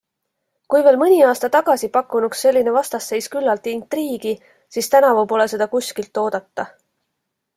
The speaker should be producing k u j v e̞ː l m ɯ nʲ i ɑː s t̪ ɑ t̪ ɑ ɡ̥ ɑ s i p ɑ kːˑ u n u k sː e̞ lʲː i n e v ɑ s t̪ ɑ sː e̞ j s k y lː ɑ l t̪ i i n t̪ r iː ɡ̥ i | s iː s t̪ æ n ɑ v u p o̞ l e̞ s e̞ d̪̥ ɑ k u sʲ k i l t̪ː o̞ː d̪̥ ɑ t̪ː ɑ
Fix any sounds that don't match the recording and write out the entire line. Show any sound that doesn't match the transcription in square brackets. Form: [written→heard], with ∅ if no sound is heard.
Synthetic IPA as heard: k u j v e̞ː l m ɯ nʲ i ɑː s t̪ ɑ t̪ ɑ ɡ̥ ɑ s i p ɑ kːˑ u n u k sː e̞ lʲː i n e v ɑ s t̪ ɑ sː e̞ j s k y lː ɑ l t̪ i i n t̪ r iː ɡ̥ i | s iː s t̪ æ n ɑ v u p o̞ l e̞ s e̞ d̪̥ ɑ k u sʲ k i l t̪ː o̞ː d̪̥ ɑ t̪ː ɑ